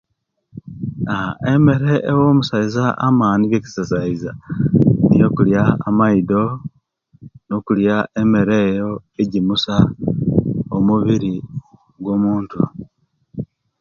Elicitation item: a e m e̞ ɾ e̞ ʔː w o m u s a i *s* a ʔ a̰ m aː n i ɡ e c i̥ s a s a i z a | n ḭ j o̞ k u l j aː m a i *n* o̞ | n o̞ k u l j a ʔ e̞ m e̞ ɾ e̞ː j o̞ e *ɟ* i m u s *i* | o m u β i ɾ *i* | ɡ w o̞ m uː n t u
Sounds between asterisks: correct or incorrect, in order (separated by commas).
incorrect, incorrect, correct, incorrect, correct